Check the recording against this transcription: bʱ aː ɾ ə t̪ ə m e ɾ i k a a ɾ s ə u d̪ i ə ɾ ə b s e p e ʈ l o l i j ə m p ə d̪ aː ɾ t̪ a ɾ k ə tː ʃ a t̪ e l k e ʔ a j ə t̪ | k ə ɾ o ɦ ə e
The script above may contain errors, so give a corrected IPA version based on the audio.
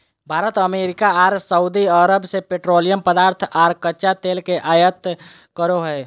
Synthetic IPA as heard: bʱ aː ɾ ə t̪ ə m e ɾ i k a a ɾ s ə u d̪ i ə ɾ ə b s e p e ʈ ɾ o l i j ə m p ə d̪ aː ɾ t̪ʰ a ɾ k ə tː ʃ a t̪ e l k e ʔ a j ə t̪ | k ə ɾ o ɦ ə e